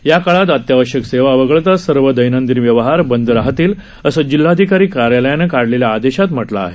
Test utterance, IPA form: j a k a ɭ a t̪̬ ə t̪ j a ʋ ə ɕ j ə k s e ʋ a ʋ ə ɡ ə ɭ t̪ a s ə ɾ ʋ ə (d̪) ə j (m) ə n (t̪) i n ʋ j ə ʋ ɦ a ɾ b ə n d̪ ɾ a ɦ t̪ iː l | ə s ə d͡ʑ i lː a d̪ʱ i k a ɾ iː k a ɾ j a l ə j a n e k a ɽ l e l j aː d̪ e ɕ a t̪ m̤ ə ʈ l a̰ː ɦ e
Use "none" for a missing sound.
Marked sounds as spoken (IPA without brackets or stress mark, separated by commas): d̪, n, d̪